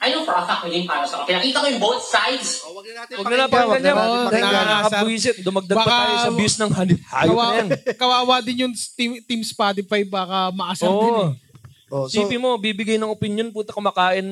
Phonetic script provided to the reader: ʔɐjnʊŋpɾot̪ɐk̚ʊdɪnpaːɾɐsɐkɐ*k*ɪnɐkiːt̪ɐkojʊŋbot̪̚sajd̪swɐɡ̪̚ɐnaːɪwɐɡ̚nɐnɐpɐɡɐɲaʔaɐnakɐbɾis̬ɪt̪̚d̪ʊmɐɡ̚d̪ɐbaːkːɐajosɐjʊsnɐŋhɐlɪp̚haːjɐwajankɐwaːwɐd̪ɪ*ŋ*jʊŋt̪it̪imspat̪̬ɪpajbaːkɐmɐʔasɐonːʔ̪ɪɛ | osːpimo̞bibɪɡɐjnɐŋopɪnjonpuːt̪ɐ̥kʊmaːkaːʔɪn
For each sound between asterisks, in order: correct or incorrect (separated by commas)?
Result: correct, incorrect